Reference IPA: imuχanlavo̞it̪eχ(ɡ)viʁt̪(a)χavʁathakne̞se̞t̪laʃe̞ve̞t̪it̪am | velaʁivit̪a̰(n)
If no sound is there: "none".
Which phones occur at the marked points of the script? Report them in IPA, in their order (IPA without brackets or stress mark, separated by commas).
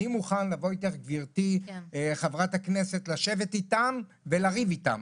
ɡ, i, m